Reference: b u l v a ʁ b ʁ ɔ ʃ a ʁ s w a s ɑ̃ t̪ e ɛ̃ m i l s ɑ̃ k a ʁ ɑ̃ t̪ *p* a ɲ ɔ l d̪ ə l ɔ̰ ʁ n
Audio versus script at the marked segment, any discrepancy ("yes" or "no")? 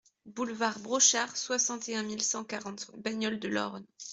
yes